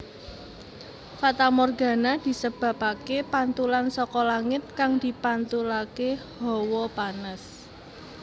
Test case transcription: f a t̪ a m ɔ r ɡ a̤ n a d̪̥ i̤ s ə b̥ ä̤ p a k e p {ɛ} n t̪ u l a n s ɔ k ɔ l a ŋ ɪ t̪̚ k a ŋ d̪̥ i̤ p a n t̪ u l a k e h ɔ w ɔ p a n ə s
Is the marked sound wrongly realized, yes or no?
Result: yes